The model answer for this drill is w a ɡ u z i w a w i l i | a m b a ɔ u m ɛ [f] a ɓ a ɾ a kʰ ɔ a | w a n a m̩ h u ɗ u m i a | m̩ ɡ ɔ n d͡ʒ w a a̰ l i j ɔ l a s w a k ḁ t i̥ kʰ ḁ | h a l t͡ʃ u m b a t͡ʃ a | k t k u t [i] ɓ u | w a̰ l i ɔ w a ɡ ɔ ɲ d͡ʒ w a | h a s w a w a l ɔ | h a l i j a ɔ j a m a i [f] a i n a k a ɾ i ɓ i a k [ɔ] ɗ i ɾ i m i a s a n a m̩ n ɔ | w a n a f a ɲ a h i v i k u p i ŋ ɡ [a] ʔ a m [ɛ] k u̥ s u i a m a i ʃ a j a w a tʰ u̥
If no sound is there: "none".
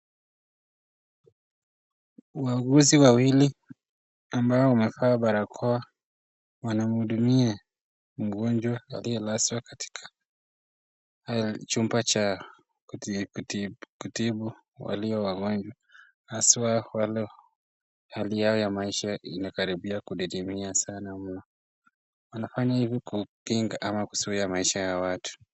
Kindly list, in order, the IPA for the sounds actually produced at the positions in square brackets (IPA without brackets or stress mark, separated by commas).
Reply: f, i, ʃ, u, a, a